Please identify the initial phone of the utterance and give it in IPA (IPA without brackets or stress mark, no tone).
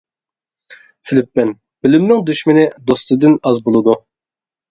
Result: f